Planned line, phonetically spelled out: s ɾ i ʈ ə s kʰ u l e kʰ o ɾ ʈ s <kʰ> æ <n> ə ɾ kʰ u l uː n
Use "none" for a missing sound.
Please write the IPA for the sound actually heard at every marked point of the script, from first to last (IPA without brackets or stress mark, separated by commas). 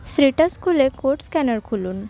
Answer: k, n